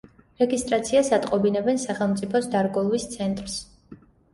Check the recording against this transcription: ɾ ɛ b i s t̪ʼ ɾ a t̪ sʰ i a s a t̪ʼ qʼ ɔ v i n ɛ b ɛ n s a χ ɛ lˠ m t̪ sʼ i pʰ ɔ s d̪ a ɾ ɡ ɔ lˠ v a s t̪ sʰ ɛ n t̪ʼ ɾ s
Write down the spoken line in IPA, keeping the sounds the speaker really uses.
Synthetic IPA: ɾ ɛ ɡ i s t̪ʼ ɾ a t̪ sʰ i a s a t̪ʼ qʼ ɔ b i n ɛ b ɛ n s a χ ɛ lˠ m t̪ sʼ i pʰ ɔ s d̪ a ɾ ɡ ɔ lˠ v i s t̪ sʰ ɛ n t̪ʼ ɾ s